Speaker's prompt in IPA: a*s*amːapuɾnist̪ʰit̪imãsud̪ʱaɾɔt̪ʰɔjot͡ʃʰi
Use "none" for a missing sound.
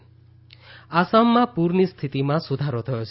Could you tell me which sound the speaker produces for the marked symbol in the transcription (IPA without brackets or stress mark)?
s